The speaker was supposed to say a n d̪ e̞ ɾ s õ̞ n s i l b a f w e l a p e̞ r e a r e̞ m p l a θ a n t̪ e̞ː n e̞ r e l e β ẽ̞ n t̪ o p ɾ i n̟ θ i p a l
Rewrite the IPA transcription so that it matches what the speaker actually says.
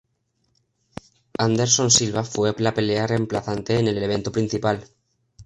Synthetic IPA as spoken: a n d̪ e̞ ɾ s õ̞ n s i l β a f w e l a p e̞ l e a r e̞ m p l a θ a n t̪ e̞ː n e̞ l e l e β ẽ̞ n t̪ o p ɾ i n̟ θ i p a l